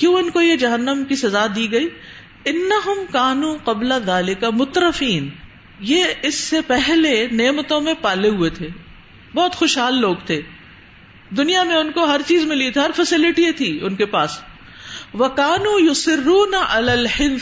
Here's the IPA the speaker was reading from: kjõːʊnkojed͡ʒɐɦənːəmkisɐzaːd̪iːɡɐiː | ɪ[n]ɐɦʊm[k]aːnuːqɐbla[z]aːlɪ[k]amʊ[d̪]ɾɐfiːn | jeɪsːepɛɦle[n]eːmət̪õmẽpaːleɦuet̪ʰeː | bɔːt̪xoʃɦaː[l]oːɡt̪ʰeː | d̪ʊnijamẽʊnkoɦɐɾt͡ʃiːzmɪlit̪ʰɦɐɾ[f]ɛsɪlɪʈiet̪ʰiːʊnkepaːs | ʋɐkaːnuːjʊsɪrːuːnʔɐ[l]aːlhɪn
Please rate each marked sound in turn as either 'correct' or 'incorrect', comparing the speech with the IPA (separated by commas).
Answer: incorrect, correct, incorrect, correct, incorrect, correct, incorrect, correct, correct